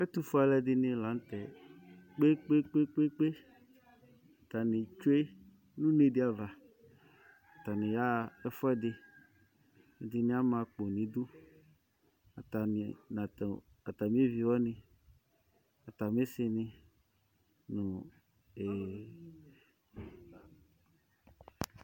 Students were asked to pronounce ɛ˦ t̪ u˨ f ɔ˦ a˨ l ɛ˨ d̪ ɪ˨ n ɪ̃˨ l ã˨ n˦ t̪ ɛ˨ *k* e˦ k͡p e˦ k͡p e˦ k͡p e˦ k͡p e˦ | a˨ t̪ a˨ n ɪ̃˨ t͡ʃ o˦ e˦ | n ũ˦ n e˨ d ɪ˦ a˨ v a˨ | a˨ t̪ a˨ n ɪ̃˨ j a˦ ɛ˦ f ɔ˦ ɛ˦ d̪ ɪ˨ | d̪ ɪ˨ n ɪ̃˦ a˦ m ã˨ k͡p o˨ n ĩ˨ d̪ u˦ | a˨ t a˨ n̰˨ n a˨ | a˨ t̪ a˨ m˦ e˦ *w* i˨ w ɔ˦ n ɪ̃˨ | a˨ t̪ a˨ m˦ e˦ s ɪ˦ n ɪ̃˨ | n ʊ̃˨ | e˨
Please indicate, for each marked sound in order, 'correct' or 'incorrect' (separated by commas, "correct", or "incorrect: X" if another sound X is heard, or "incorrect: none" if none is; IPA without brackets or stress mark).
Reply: incorrect: k͡p, incorrect: v